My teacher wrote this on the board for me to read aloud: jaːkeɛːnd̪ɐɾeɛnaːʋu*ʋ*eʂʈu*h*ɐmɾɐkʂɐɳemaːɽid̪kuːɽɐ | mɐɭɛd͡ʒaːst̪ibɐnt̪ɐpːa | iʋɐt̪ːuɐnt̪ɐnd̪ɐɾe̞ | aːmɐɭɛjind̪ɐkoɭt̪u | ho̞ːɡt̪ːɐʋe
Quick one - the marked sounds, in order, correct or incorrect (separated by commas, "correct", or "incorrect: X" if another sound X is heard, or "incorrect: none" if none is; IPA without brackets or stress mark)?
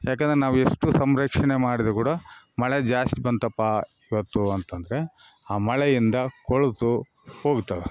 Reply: incorrect: none, incorrect: s